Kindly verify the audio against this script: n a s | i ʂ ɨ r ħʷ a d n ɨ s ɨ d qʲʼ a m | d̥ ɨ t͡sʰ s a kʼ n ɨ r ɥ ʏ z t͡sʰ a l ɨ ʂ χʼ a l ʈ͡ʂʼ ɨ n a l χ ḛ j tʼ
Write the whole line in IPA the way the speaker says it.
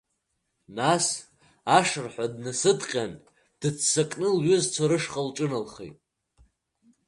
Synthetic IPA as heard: n a s | a ʂ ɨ r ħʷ a d n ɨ s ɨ d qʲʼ a n | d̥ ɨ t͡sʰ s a kʼ n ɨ l ɥ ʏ z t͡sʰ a ɾ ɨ ʂ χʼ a l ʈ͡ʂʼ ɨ n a l χ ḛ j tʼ